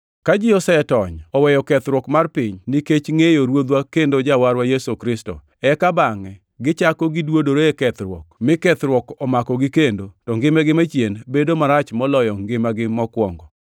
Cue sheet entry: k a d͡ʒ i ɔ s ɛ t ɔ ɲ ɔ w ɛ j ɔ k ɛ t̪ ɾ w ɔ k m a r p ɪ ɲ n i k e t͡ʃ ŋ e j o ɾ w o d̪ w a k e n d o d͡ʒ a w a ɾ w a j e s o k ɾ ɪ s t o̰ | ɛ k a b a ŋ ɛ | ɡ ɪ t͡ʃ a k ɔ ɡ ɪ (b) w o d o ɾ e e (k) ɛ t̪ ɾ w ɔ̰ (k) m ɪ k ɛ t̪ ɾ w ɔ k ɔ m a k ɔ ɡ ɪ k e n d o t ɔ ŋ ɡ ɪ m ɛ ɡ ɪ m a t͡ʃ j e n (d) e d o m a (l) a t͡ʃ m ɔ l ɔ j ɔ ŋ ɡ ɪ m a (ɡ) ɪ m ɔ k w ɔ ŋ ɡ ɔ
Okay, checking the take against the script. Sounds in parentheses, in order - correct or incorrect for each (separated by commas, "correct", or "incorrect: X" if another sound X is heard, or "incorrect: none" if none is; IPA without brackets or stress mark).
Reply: incorrect: d, correct, correct, incorrect: b, incorrect: ɾ, correct